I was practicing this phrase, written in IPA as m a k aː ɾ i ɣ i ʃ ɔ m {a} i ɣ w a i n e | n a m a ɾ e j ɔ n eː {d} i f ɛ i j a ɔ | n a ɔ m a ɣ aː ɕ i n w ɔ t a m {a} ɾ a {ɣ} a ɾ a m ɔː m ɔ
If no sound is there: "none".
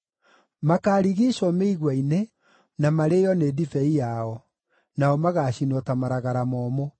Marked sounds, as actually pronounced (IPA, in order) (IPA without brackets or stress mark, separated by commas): e, d, a, ɣ